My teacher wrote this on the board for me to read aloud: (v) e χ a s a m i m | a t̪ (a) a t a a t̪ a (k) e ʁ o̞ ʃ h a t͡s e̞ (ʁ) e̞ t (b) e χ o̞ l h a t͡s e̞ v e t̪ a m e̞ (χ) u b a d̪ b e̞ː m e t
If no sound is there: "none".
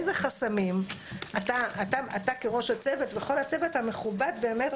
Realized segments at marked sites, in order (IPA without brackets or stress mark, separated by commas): z, a, k, v, v, χ